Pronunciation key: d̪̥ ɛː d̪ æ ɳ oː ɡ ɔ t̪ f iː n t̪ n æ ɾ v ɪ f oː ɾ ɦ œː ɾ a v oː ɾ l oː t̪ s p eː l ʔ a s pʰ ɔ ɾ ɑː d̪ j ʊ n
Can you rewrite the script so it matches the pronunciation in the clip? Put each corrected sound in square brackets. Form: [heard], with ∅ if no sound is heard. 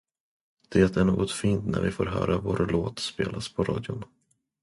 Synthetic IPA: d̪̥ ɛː [t̪] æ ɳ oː ɡ ɔ t̪ f iː n t̪ n æ ɾ v ɪ f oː ɾ ɦ œː ɾ a v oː ɾ l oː t̪ s p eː l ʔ a s pʰ ɔ ɾ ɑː d̪ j ʊ n